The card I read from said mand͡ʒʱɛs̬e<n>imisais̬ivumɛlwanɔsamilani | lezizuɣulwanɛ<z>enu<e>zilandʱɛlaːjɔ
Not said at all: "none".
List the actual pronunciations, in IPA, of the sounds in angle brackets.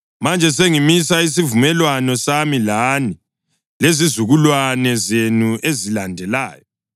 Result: ŋ, z, e

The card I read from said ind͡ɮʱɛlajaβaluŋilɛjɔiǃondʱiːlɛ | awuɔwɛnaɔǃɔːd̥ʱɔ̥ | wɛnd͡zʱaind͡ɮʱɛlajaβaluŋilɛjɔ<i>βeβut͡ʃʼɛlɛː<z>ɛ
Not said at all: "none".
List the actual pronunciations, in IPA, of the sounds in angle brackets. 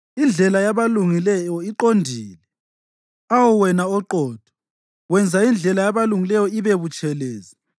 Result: i, z

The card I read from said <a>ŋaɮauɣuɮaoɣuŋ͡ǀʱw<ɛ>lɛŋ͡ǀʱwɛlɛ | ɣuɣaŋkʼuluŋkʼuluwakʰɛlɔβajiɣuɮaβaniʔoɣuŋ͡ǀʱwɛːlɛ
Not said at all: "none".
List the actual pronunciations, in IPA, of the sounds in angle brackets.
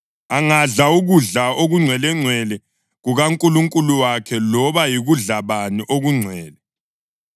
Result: a, ɛ

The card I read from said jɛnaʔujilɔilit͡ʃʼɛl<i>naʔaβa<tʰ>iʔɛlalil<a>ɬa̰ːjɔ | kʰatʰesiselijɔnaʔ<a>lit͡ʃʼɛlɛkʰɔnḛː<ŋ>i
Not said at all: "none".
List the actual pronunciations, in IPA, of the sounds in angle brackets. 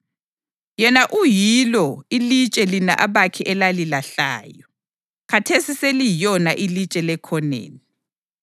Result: i, kʰ, a, i, n

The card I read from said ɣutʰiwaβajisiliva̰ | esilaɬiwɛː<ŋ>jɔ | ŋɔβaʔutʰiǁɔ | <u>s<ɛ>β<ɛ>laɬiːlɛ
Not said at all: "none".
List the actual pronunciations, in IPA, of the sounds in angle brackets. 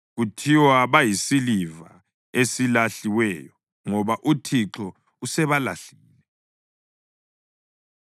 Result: none, u, ɛ, a

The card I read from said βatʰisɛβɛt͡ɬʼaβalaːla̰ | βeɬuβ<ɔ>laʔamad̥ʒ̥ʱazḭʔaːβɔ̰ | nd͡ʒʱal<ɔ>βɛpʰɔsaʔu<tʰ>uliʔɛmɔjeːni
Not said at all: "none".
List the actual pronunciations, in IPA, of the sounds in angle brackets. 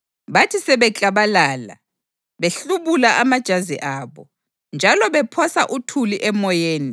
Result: u, ɔ, tʰ

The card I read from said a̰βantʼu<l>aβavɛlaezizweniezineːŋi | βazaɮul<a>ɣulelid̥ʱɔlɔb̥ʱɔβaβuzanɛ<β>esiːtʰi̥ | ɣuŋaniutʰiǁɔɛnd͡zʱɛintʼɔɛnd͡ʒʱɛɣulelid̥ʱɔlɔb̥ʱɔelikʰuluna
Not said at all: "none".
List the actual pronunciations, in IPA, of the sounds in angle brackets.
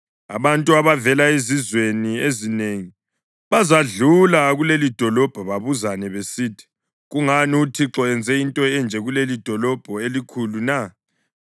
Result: none, a, β

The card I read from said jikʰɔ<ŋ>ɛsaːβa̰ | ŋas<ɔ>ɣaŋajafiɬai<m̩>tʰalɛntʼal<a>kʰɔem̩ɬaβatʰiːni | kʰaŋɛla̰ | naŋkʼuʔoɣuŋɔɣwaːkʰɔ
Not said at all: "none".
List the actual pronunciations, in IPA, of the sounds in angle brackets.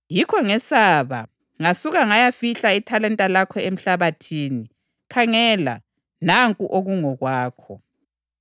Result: ŋ, u, none, a

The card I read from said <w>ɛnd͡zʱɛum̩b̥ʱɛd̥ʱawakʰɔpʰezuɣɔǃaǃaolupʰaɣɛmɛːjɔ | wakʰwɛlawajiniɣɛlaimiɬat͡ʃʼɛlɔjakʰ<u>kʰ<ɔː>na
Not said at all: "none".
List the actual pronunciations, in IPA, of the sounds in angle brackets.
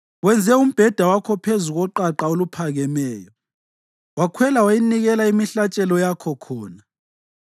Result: w, ɔ, ɔː

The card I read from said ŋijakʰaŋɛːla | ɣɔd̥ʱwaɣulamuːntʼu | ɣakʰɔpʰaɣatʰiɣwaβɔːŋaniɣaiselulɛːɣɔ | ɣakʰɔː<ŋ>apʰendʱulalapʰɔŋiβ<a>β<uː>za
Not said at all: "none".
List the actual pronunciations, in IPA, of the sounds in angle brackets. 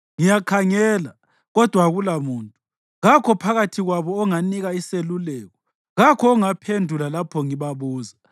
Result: ŋ, a, uː

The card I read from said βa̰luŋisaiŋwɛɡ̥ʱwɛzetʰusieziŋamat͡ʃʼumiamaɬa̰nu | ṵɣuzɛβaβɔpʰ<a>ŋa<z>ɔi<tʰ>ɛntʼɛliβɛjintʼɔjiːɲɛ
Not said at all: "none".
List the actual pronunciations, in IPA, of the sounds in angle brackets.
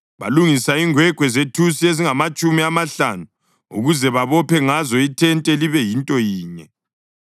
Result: ɛ, z, tʰ

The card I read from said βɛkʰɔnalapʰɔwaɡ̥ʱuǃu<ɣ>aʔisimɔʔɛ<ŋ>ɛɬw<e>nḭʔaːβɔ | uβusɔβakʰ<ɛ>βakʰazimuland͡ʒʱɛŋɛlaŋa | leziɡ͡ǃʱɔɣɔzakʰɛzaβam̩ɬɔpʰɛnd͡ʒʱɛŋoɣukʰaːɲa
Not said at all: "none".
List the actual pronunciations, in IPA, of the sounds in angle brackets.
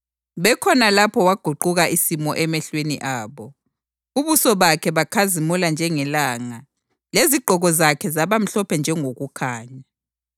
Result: ɣ, m, e, ɛ

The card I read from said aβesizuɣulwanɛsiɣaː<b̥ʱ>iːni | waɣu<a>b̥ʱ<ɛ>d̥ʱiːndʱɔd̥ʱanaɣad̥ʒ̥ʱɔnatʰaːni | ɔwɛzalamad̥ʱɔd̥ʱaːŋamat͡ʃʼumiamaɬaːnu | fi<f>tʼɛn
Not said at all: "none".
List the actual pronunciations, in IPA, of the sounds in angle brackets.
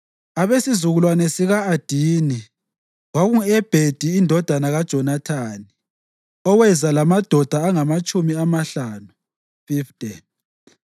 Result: d̥ʱ, ɛ, e, f

